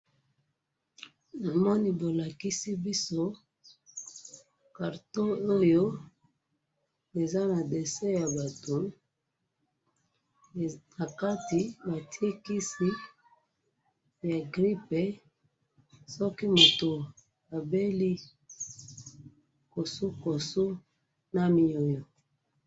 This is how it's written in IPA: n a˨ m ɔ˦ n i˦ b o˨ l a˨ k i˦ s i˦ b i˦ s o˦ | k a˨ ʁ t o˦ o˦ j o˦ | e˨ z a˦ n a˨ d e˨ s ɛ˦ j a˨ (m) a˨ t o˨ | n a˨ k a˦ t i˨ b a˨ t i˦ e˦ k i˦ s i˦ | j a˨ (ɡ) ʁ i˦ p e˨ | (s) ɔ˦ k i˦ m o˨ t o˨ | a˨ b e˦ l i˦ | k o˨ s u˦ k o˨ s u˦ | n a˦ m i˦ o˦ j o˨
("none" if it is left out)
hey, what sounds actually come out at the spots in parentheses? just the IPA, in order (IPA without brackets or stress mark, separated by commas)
b, ɡ, s